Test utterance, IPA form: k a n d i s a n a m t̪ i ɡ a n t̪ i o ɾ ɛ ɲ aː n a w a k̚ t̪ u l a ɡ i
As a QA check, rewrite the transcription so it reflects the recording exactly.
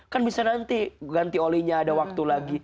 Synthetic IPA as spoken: k a n b i s a n a n t̪ i ɡ a n t̪ i o l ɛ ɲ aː d a w a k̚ t̪ u l a ɡ i